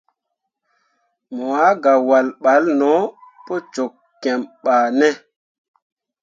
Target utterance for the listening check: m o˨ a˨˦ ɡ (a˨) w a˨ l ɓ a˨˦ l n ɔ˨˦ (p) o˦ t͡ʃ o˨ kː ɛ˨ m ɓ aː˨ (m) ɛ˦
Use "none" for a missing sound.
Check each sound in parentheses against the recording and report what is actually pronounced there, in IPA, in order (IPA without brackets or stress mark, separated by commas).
a˨, p, n